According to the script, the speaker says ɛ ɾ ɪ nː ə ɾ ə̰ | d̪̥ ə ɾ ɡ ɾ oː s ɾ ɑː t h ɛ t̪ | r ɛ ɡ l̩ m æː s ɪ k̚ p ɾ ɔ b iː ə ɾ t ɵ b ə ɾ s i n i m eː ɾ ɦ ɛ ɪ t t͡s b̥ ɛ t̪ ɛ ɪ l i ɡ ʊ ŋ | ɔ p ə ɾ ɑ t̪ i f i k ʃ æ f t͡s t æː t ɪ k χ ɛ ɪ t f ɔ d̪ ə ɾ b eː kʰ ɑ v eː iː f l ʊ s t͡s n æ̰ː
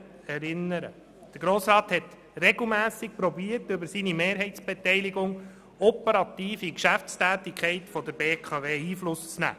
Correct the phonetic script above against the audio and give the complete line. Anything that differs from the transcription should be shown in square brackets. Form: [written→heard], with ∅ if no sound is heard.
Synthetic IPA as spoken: ɛ ɾ ɪ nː ə ɾ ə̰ | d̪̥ ə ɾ ɡ ɾ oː s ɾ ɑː t h ɛ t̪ | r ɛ ɡ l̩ m æː s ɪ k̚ p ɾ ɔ b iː ə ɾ t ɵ b ə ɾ s i n i m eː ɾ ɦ ɛ ɪ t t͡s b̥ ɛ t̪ ɛ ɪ l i ɡ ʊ ŋ | ɔ p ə ɾ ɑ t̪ [i→iː] f i k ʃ æ f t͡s t æː t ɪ k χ ɛ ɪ t f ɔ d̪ ə ɾ b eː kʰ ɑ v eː iː f l ʊ s t͡s n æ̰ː